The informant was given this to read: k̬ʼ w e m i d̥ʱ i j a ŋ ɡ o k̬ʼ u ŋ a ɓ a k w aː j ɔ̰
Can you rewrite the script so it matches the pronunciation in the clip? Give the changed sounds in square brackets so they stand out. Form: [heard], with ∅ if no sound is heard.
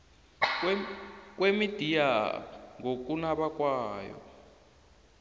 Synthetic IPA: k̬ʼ w e m i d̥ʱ i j a ŋ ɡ o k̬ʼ u [n] a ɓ a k w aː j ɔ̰